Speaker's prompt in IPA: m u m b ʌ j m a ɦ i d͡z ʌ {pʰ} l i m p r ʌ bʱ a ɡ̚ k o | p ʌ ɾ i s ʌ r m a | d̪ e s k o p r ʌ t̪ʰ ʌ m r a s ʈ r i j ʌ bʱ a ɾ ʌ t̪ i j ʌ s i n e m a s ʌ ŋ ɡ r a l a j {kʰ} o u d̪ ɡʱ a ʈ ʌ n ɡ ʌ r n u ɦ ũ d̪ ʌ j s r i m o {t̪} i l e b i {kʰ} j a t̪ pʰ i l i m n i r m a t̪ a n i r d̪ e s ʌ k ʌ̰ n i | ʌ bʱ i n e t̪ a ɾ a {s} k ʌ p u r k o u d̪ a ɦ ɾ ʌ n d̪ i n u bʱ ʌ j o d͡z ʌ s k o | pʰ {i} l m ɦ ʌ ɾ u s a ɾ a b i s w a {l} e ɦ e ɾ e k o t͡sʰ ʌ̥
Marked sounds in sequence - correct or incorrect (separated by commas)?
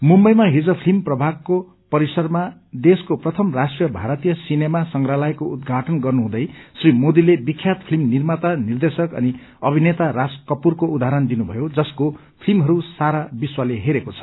correct, incorrect, incorrect, correct, correct, correct, correct